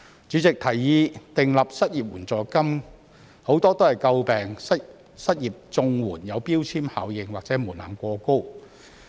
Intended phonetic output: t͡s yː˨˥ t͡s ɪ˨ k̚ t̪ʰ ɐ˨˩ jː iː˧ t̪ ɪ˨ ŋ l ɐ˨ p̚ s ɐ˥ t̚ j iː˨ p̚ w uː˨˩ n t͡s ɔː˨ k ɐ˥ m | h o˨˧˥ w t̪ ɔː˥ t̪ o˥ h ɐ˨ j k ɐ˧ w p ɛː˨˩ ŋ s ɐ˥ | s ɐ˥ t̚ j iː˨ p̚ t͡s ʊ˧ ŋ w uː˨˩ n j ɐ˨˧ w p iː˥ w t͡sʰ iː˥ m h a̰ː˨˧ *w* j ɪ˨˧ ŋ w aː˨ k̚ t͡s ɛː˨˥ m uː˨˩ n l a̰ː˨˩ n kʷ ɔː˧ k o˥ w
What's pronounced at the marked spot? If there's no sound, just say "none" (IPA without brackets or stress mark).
w